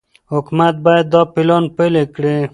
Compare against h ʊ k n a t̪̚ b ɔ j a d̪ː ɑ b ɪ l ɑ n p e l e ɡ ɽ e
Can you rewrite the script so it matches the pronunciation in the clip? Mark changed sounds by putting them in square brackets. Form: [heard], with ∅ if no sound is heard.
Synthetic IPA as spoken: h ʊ k [m] a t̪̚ b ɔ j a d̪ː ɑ [p] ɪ l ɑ n p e l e [k] ɽ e